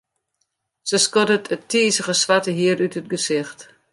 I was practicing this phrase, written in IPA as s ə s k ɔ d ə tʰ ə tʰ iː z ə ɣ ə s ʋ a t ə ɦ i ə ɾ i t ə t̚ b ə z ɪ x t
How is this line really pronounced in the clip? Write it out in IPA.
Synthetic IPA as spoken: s ə s k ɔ d ə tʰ ə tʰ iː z ə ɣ ə s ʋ a t ə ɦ i ə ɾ y t ə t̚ ɡ ə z ɪ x t